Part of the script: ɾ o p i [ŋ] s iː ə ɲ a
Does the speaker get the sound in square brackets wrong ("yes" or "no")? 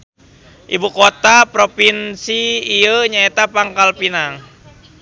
yes